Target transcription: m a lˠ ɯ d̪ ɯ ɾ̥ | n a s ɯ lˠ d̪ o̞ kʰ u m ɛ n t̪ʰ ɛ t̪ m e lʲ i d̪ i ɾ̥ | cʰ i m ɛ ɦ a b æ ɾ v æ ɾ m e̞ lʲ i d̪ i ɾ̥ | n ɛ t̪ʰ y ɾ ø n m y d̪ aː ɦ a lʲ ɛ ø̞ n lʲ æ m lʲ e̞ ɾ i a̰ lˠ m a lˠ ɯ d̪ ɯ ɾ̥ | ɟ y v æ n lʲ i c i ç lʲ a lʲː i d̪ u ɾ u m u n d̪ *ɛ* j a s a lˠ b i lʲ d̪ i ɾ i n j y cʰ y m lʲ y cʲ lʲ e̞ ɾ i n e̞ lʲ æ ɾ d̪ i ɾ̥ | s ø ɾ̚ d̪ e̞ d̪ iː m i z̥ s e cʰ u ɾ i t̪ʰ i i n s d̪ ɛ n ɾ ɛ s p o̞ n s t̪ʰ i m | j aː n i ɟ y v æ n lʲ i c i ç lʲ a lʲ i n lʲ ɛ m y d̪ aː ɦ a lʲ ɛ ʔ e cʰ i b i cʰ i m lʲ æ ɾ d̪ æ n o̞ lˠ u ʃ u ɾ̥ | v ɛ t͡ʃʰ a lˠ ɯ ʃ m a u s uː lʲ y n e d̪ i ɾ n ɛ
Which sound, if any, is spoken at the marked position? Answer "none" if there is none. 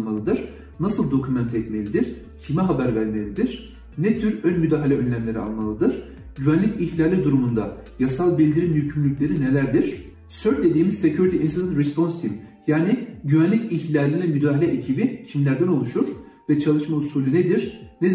a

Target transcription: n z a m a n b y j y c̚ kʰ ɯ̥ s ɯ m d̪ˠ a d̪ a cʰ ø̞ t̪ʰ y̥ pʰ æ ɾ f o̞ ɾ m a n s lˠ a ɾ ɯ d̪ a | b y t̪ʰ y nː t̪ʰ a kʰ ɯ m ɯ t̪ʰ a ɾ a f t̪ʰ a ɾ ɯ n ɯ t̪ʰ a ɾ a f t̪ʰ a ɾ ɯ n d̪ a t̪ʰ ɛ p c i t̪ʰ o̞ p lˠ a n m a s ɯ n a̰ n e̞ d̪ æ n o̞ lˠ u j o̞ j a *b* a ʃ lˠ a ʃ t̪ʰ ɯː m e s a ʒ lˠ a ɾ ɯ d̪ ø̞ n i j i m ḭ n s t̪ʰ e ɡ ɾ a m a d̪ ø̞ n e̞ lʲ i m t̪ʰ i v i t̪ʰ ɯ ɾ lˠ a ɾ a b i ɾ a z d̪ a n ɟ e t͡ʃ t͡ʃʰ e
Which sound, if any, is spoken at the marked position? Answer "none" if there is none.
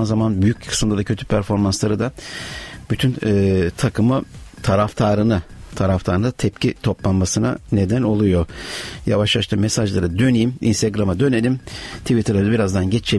v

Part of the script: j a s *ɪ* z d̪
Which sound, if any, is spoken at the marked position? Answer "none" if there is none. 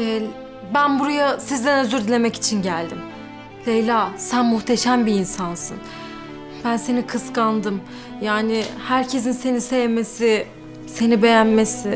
i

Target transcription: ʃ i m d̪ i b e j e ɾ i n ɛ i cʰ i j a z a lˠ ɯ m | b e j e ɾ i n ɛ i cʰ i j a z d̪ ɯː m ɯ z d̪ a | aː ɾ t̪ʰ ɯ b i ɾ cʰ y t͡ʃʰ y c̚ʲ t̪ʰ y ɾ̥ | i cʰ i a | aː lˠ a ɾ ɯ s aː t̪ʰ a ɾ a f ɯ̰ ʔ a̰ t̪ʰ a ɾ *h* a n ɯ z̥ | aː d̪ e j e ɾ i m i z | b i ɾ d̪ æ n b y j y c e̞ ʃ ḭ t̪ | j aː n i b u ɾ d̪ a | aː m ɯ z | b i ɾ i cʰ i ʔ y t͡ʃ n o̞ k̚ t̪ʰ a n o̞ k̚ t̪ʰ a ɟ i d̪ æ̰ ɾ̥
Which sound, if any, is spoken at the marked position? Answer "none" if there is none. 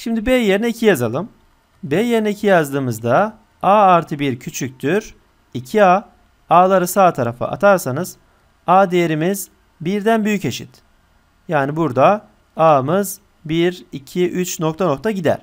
s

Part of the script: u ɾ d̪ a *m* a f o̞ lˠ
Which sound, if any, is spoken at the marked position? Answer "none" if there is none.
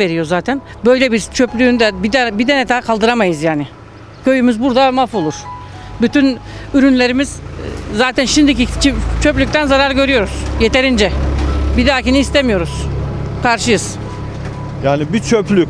m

